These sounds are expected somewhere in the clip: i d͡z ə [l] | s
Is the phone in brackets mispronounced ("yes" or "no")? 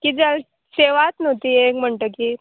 no